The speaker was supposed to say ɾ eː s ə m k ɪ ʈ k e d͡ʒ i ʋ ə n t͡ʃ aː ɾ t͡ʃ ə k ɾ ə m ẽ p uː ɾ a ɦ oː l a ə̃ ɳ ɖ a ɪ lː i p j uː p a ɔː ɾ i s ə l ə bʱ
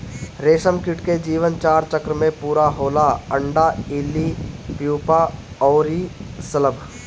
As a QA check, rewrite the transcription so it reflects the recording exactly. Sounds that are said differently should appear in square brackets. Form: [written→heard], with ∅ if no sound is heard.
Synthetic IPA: ɾ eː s ə m k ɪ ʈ k e d͡ʒ [i→iː] ʋ ə n t͡ʃ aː ɾ t͡ʃ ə k ɾ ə m ẽ p uː ɾ a ɦ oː l a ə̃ ɳ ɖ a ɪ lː i p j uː p a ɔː ɾ i s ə l ə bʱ